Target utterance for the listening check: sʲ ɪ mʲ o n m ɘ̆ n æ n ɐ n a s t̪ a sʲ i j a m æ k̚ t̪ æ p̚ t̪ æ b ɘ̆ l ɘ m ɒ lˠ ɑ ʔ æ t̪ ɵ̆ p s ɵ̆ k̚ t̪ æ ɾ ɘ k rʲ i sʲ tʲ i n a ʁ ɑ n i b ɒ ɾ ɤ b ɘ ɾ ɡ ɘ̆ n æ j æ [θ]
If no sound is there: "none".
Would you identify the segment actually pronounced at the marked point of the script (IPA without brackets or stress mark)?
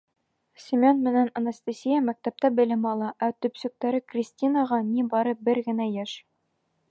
ʃ